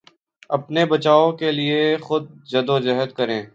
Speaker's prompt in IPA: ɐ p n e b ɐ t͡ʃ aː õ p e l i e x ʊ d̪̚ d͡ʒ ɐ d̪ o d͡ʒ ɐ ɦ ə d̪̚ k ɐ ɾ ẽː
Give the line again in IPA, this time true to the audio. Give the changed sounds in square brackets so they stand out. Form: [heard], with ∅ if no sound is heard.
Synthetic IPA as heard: ɐ p n e b ɐ t͡ʃ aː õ [k] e l i e x ʊ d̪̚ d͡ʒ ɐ d̪ o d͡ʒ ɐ ɦ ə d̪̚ k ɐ ɾ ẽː